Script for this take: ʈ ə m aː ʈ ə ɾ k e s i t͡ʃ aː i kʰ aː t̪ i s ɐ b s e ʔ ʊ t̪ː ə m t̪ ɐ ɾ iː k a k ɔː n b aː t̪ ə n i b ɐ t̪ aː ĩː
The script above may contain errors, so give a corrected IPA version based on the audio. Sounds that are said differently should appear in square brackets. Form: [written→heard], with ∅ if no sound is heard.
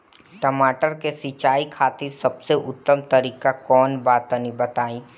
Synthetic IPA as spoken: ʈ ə m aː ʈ ə ɾ k e s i t͡ʃ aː i kʰ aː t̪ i s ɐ b s e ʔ ʊ t̪ː ə m t̪ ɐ ɾ iː k a k ɔː n b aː t̪ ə n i b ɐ t̪ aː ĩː

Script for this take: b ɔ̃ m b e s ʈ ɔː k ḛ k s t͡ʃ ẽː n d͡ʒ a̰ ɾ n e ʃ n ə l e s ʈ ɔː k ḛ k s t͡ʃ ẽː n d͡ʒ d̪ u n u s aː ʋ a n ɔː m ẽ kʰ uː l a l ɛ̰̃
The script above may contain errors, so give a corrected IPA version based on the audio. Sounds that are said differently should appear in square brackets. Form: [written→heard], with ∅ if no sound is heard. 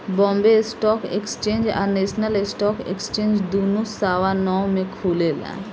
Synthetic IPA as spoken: b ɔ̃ m b e s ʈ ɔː k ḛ k s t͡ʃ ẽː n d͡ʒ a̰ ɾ n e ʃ n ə l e s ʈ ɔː k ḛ k s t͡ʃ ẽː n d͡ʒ d̪ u n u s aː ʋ a n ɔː m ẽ kʰ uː l [a→e] l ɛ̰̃

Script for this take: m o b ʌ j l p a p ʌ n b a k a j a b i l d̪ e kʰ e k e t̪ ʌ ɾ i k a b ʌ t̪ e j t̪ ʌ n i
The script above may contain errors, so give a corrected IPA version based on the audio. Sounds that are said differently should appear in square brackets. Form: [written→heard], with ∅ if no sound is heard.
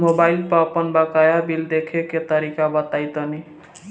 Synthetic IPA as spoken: m o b [ʌ→a] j l p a p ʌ n b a k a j a b i l d̪ e kʰ e k e t̪ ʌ ɾ i k a b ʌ t̪ [e→a] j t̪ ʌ n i

